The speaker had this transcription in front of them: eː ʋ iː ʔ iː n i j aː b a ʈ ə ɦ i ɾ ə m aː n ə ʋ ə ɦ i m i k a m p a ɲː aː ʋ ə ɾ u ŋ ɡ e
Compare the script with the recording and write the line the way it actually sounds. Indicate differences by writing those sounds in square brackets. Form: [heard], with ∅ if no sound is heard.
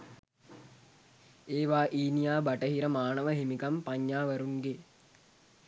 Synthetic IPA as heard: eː ʋ [aː] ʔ iː n i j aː b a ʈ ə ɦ i ɾ ə m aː n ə ʋ ə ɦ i m i k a m p a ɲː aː ʋ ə ɾ u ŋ ɡ e